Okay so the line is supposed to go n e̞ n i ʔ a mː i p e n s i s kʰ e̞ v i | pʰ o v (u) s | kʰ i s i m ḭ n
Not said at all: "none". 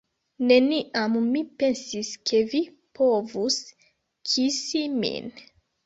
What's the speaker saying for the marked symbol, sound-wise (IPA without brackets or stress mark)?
u